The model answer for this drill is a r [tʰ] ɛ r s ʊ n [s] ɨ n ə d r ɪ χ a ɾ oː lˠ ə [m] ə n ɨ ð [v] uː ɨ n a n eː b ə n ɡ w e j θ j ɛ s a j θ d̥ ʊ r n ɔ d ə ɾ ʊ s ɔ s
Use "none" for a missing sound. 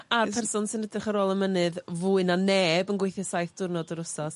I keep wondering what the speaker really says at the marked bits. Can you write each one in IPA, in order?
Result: pʰ, s, m, v

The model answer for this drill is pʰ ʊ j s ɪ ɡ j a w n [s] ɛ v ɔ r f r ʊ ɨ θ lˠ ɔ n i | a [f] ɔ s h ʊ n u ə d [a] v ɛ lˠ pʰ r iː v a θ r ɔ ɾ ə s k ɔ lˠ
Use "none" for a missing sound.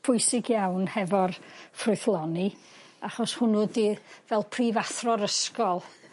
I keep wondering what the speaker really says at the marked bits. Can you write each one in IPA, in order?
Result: h, χ, i

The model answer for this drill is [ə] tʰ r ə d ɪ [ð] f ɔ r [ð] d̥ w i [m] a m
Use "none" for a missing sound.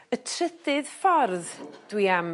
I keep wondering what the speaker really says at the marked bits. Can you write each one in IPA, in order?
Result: ə, ð, ð, none

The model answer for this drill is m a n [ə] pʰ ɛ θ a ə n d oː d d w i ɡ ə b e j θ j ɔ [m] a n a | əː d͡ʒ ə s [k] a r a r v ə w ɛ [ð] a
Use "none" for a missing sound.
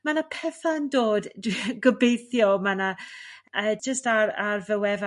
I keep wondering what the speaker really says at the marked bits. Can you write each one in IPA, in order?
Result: a, m, t, v

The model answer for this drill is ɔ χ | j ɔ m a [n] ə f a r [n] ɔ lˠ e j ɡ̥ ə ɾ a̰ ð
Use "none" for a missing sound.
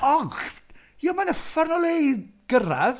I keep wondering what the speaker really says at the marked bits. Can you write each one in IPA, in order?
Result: n, n

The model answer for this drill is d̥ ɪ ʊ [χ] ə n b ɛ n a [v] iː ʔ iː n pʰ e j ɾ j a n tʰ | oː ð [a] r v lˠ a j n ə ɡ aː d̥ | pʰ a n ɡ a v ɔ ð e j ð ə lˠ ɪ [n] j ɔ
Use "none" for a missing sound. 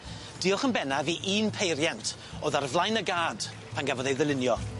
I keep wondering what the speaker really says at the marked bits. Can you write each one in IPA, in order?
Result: χ, v, a, n

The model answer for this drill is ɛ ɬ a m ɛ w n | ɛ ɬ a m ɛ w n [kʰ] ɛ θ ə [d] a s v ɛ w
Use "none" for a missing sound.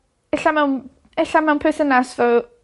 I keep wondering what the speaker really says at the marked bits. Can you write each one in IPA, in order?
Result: pʰ, n

